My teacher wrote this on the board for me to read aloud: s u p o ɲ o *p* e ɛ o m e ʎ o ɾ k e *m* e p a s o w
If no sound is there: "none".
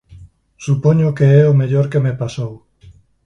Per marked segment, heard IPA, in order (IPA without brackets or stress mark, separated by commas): k, m